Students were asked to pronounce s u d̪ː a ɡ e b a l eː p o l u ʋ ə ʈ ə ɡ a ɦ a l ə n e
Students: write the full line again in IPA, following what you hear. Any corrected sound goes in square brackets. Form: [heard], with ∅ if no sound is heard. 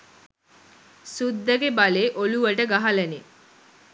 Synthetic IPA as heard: s u d̪ː [ə] ɡ e b a l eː [ʔ] o l u ʋ ə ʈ ə ɡ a ɦ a l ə n e